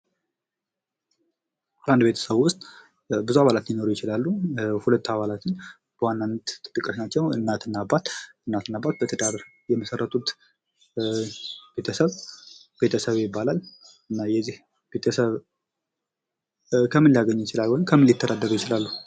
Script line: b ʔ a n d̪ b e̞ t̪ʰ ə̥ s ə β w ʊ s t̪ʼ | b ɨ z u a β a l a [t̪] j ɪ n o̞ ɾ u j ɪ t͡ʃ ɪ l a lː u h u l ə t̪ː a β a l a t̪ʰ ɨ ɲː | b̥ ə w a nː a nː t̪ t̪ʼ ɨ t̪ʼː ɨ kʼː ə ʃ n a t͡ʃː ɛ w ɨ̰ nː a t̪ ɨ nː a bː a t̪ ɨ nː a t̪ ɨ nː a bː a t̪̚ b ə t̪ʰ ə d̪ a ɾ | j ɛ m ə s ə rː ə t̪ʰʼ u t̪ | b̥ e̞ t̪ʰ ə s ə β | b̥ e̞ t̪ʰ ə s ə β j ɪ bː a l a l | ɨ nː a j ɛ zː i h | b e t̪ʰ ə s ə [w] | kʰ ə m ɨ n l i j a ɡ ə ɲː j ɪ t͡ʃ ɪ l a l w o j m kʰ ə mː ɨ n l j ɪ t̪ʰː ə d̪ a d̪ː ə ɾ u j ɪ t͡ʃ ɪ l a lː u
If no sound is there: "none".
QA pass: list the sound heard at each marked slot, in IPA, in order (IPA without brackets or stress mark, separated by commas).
t̪, β